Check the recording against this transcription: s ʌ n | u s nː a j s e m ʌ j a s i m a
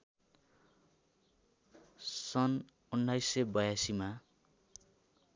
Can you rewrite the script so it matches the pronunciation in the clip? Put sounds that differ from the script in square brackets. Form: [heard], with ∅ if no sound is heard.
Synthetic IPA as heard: s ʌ n | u [∅] nː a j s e [b] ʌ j a s i m a